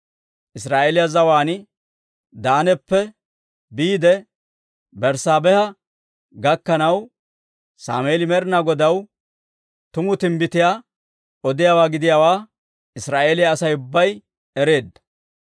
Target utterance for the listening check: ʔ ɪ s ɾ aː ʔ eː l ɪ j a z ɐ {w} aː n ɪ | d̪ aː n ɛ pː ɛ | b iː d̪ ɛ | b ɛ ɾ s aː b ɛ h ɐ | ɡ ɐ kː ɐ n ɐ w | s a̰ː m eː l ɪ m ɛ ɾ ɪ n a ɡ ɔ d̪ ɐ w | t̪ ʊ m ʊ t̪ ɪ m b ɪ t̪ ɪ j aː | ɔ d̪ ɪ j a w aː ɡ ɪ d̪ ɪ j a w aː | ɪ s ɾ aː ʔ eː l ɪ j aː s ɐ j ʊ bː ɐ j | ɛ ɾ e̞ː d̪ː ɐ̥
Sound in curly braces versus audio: correct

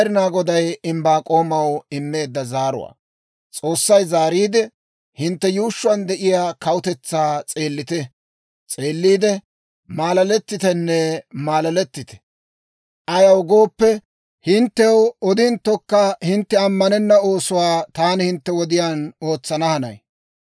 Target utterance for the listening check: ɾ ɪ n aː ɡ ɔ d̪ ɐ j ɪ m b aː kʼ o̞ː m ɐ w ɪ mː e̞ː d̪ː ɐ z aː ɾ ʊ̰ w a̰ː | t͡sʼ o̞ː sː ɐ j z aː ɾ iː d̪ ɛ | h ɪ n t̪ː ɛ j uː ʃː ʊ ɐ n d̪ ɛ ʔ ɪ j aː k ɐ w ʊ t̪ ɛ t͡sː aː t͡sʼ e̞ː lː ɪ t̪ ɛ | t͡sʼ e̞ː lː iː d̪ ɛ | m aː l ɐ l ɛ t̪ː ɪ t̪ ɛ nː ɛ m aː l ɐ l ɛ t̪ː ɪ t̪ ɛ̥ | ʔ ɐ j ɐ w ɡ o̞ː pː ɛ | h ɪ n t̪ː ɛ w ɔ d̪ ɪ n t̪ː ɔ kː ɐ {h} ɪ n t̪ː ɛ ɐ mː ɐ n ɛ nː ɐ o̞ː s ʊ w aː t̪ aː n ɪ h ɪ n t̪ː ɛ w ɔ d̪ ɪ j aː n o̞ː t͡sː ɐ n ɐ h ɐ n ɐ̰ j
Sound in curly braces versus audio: correct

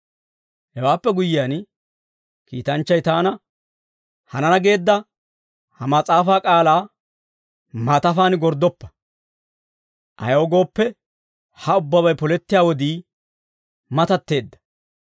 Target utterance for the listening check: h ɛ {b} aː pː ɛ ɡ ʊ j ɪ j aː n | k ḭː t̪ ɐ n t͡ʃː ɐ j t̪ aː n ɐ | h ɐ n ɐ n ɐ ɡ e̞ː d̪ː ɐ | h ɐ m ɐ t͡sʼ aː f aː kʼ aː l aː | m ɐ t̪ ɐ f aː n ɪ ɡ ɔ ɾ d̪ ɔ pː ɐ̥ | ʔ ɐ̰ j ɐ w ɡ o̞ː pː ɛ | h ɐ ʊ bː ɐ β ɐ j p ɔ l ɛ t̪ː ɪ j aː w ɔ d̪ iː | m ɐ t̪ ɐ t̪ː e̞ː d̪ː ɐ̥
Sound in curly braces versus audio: incorrect: w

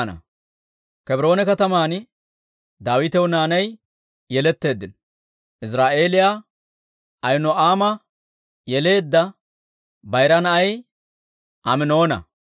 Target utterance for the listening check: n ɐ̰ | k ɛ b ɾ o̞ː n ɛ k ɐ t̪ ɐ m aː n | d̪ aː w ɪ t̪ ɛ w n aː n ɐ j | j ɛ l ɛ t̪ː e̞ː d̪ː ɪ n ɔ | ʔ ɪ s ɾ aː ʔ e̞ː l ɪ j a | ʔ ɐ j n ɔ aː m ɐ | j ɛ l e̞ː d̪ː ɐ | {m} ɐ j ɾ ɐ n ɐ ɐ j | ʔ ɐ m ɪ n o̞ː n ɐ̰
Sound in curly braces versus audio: incorrect: b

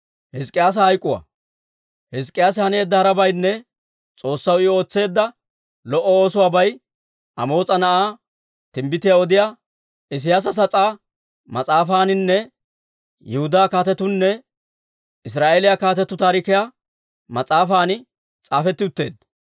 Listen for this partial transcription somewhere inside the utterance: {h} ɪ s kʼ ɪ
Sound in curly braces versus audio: correct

